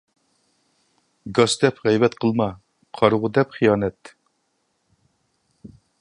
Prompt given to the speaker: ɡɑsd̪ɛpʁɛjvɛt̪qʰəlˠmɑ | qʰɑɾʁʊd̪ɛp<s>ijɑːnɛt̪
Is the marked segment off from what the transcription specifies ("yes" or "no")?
yes